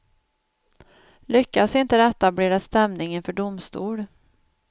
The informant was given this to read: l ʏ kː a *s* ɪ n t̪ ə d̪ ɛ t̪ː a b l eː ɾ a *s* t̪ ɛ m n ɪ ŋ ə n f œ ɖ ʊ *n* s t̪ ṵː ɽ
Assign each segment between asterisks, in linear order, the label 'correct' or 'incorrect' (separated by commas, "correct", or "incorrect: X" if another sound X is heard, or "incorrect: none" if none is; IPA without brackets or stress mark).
correct, correct, incorrect: m